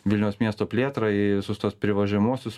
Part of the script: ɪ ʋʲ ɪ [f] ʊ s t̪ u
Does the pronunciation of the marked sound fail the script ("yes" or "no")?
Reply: yes